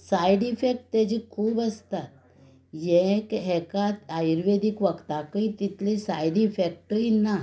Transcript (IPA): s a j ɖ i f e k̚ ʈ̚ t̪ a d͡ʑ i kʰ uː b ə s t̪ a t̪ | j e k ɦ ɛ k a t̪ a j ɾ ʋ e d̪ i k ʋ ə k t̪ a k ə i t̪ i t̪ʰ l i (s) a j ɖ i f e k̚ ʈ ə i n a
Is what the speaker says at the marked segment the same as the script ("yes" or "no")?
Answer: yes